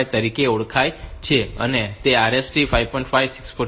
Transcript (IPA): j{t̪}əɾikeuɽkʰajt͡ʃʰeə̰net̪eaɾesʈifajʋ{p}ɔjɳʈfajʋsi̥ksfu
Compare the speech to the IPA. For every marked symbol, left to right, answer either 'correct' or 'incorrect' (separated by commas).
correct, correct